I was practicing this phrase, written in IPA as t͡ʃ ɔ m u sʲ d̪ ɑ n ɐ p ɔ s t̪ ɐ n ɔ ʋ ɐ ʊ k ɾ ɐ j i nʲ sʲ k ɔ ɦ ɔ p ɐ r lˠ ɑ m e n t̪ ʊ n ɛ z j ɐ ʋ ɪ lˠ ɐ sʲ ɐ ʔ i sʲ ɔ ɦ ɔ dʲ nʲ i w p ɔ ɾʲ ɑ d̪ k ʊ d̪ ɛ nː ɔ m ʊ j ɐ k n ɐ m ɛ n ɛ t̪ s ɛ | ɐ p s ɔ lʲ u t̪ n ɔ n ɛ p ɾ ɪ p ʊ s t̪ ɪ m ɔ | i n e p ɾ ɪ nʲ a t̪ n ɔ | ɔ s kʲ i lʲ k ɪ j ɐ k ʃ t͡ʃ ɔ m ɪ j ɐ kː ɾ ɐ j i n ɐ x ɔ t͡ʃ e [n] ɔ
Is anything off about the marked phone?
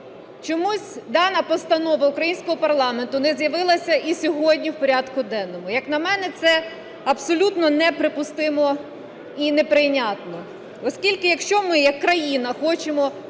yes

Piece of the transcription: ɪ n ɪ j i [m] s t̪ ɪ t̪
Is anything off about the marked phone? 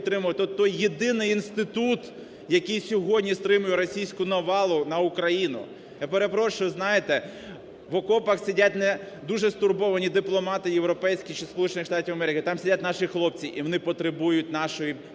yes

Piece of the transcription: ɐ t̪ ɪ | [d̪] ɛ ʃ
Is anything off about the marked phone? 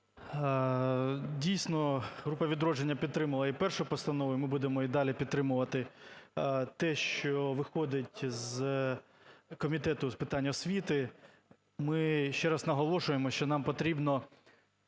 yes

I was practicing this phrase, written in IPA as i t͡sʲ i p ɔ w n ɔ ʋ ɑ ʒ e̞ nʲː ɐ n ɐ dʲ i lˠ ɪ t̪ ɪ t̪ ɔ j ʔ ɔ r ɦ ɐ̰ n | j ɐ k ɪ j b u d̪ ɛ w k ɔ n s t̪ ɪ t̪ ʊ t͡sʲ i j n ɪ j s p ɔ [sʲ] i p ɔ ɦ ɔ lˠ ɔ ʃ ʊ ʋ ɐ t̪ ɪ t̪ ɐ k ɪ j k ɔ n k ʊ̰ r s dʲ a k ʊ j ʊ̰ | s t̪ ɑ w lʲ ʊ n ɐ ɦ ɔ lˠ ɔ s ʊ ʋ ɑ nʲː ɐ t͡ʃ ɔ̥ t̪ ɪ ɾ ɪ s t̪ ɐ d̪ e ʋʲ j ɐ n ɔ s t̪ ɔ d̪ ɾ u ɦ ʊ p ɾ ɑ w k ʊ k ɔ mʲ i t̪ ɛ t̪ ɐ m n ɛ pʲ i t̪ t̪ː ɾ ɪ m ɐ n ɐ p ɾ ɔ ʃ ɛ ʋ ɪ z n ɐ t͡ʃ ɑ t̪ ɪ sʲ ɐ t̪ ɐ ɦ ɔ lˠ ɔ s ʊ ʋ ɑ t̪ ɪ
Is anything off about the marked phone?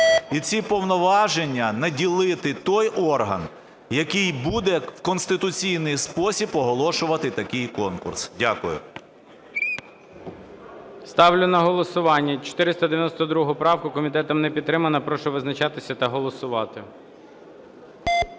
no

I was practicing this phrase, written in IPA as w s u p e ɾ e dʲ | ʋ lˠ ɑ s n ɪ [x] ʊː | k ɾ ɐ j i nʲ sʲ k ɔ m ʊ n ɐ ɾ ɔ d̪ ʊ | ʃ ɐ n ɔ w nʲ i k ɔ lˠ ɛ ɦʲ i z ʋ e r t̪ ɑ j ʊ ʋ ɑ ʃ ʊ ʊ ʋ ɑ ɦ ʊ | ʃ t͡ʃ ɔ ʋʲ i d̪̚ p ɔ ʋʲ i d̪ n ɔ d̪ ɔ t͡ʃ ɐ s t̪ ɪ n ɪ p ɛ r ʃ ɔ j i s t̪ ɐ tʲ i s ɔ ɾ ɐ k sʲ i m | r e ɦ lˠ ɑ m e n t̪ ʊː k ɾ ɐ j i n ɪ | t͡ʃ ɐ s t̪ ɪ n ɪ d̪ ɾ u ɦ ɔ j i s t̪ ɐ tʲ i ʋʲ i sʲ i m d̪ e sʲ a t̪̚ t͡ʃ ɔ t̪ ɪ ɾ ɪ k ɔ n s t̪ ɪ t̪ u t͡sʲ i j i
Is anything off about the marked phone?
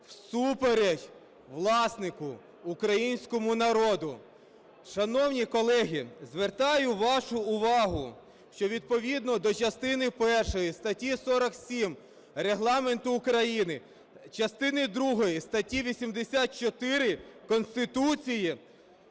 yes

